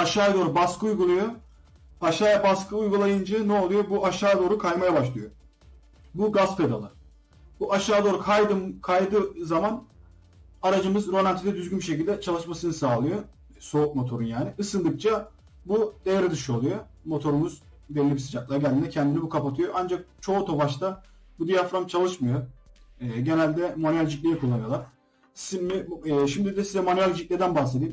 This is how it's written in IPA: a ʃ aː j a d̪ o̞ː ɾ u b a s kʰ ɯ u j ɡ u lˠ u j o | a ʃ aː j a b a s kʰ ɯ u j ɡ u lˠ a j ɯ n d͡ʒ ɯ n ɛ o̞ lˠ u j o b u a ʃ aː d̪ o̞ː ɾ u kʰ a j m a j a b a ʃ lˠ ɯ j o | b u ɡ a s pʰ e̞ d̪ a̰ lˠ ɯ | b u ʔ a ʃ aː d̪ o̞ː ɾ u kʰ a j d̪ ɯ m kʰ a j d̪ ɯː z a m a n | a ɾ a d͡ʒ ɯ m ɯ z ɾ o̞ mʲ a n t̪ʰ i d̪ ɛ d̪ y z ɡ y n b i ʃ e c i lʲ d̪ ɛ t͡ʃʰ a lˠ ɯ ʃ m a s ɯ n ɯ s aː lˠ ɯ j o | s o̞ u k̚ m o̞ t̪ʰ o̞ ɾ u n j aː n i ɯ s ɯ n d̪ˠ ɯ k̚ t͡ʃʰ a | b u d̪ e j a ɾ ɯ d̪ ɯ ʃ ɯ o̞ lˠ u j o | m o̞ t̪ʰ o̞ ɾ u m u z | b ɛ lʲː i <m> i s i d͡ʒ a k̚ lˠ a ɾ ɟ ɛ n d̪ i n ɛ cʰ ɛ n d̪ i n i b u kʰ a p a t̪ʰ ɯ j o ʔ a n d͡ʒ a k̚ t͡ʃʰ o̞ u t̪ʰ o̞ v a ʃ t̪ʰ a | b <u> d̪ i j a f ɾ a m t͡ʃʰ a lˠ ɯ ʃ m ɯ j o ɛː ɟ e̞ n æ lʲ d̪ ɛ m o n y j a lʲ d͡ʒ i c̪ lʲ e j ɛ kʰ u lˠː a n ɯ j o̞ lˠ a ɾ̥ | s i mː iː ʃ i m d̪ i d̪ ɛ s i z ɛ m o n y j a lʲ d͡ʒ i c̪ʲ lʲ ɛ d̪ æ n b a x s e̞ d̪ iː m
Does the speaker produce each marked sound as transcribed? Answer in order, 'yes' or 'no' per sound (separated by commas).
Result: no, yes